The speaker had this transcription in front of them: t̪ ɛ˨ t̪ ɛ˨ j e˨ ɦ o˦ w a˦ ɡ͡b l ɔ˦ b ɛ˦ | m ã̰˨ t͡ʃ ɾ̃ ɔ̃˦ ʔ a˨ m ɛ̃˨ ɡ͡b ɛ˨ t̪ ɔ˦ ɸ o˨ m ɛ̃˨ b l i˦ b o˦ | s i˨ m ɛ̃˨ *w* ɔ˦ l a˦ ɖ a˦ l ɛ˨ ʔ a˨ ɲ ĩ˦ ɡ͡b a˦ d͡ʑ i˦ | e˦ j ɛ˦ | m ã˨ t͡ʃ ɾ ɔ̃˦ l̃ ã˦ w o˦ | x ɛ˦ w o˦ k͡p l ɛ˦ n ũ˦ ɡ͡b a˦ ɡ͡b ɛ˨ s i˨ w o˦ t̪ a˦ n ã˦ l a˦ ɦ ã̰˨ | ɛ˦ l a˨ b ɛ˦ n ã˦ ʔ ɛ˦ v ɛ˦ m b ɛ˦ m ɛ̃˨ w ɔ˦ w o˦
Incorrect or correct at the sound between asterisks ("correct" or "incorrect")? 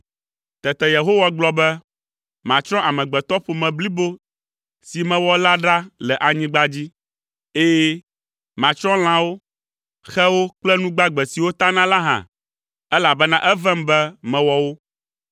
correct